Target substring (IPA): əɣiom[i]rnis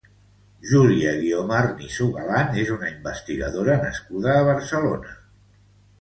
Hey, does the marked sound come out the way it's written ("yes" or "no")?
no